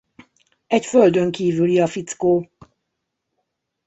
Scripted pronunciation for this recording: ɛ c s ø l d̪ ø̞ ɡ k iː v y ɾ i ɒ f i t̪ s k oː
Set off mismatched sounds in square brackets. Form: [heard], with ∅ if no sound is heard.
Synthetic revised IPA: ɛ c [f] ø l d̪ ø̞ [ŋ] k iː v y [l] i ɒ f i t̪ s k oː